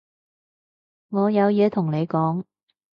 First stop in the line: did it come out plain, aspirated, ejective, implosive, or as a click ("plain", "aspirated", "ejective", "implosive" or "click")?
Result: aspirated